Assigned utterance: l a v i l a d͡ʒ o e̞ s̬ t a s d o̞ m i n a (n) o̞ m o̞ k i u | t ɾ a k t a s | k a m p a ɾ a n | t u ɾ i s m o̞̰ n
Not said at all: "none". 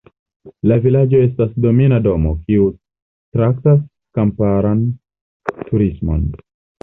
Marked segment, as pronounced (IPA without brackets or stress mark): d